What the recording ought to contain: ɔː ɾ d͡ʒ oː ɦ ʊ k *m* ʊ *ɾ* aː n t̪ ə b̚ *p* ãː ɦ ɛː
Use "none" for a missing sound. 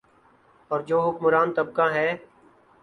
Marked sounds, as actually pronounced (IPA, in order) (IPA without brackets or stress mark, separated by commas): m, ɾ, k